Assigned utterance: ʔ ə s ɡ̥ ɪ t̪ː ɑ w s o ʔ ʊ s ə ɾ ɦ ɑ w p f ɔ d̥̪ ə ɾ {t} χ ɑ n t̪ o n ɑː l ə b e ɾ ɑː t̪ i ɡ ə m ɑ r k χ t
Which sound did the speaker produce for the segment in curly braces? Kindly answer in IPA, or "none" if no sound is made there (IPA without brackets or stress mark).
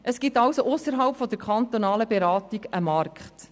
k